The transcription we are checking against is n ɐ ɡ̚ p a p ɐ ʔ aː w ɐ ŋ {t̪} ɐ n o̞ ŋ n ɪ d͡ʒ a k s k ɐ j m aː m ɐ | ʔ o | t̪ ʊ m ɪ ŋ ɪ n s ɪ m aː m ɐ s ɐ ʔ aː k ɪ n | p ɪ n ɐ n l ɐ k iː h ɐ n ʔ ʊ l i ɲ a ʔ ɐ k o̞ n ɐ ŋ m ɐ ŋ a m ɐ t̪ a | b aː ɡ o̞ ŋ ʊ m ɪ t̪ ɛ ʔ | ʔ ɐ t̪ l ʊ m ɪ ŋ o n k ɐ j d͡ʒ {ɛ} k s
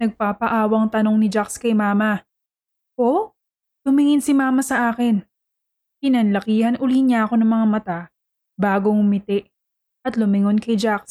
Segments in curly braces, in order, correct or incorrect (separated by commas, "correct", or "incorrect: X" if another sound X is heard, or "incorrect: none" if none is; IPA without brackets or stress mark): correct, incorrect: a